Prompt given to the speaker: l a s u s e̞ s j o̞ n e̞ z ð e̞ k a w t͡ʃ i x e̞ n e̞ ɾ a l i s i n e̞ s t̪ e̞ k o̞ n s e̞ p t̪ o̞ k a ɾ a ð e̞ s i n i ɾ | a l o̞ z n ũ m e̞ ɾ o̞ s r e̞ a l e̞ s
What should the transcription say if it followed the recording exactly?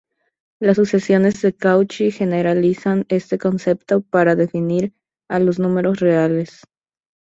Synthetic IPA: l a s u s e̞ s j o̞ n e̞ z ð e̞ k a w t͡ʃ i x e̞ n e̞ ɾ a l i s a n e̞ s t̪ e̞ k o̞ n s e̞ p t̪ o̞ p a ɾ a ð e̞ f i n i ɾ | a l o̞ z n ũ m e̞ ɾ o̞ s r e̞ a l e̞ s

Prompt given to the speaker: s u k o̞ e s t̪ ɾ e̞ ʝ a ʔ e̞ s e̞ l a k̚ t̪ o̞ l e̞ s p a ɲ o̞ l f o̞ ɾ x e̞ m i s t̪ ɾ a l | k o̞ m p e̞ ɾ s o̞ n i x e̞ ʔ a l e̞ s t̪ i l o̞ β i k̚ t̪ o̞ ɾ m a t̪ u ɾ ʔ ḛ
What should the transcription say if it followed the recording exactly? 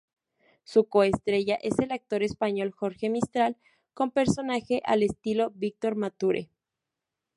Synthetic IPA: s u k o̞ e s t̪ ɾ e̞ ʝ a ʔ e̞ s e̞ l a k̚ t̪ o̞ ɾ e̞ s p a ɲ o̞ l x o̞ ɾ x e̞ m i s t̪ ɾ a l | k o̞ m p e̞ ɾ s o̞ n a x e̞ ʔ a l e̞ s t̪ i l o̞ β i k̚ t̪ o̞ ɾ m a t̪ u ɾ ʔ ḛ

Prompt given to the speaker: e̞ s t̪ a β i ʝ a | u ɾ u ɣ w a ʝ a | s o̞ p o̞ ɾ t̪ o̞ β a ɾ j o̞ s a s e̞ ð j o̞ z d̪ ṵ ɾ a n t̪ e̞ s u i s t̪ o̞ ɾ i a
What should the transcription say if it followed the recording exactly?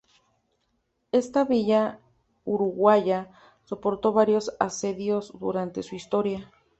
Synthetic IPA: e̞ s t̪ a β i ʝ a | u ɾ u ɣ w a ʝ a | s o̞ p o̞ ɾ t̪ o̞ β a ɾ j o̞ s a s e̞ ð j o̞ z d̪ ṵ ɾ a n t̪ e̞ s u i s t̪ o̞ ɾ j a

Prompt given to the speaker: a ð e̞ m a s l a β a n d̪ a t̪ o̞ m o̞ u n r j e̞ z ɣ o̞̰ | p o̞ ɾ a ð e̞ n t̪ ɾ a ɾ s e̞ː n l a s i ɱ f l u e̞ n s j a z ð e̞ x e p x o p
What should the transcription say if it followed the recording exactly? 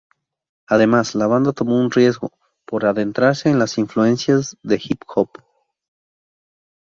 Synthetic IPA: a ð e̞ m a s l a β a n d̪ a t̪ o̞ m o̞ u n r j e̞ z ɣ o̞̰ | p o̞ ɾ a ð e̞ n t̪ ɾ a ɾ s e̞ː n l a s i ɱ f l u e̞ n s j a z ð e̞ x i p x o p

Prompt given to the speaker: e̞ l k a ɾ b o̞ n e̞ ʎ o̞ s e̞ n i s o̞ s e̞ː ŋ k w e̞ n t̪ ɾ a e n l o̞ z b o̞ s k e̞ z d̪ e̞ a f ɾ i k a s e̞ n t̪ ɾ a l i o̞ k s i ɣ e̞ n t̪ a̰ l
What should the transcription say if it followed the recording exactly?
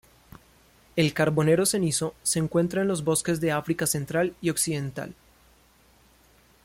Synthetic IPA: e̞ l k a ɾ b o̞ n e̞ ɾ o̞ s e̞ n i s o̞ s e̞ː ŋ k w e̞ n t̪ ɾ a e n l o̞ z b o̞ s k e̞ z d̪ e̞ a f ɾ i k a s e̞ n t̪ ɾ a l i o̞ k s i ð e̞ n t̪ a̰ l

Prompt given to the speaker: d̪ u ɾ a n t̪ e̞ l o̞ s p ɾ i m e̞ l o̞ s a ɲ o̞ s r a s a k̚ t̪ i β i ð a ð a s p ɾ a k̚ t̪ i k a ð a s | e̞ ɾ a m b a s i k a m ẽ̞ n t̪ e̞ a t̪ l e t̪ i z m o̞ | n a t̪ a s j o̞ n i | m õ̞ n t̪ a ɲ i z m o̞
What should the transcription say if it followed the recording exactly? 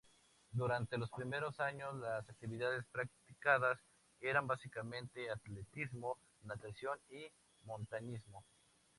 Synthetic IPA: d̪ u ɾ a n t̪ e̞ l o̞ s p ɾ i m e̞ ɾ o̞ s a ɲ o̞ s l a s a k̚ t̪ i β i ð a ð e s p ɾ a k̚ t̪ i k a ð a s | e̞ ɾ a m b a s i k a m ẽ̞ n t̪ e̞ a t̪ l e t̪ i z m o̞ | n a t̪ a s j o̞ n i | m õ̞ n t̪ a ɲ i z m o̞

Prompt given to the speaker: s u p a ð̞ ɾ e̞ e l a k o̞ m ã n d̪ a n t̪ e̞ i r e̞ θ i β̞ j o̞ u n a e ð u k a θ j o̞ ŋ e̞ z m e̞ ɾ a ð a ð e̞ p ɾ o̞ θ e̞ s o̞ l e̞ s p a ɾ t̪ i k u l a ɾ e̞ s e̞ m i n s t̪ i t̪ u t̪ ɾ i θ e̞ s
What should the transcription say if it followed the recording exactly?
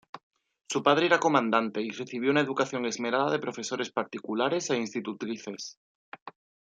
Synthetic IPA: s u p a ð̞ ɾ e̞ e ɾ a k o̞ m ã n d̪ a n t̪ e̞ i r e̞ θ i β̞ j o̞ u n a e ð u k a θ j o̞ ŋ e̞ z m e̞ ɾ a ð a ð e̞ p ɾ o̞ f e̞ s o̞ ɾ e̞ s p a ɾ t̪ i k u l a ɾ e̞ s e̞ i n s t̪ i t̪ u t̪ ɾ i θ e̞ s

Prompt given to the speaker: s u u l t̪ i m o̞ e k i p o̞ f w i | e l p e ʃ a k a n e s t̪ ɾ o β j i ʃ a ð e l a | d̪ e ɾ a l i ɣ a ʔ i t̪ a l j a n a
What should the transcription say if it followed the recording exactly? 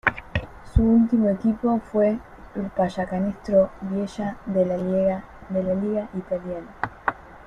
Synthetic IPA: s u u l t̪ i m o̞ e k i p o̞ f w e | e l p a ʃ a k a n e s t̪ ɾ o β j e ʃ a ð e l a | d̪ e l a l i ɣ a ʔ i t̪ a l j a n a

